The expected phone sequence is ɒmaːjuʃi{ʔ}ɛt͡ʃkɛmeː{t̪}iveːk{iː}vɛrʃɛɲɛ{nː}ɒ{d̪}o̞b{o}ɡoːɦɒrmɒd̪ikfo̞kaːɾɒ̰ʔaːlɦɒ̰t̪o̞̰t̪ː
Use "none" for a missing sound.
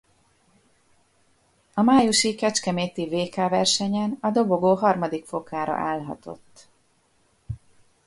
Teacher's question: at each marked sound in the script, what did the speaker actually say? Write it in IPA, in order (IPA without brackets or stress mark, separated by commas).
k, t̪, aː, n, d̪, o